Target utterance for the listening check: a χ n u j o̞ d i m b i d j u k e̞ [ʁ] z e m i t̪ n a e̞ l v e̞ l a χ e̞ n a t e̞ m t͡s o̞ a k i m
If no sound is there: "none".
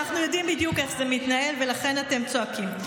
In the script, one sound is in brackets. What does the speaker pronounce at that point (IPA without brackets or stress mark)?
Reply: χ